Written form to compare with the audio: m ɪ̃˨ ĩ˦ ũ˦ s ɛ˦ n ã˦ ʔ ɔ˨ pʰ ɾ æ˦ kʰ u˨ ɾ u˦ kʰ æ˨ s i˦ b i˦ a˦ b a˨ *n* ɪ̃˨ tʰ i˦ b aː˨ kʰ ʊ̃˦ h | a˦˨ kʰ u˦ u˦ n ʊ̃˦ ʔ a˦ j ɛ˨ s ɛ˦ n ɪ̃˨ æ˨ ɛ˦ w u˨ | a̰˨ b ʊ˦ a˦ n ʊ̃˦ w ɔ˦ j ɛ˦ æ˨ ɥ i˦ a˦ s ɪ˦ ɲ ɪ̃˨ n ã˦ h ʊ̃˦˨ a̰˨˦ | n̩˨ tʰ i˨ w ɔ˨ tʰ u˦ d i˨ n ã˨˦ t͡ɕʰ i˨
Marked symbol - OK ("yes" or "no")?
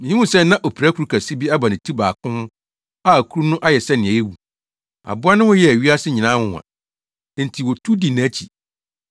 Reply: yes